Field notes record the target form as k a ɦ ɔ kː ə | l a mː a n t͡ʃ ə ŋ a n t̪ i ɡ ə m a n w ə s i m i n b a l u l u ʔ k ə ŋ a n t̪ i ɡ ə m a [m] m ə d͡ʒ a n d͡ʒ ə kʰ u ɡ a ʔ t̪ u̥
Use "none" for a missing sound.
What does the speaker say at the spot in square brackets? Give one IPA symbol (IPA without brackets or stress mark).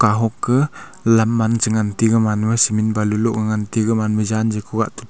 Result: n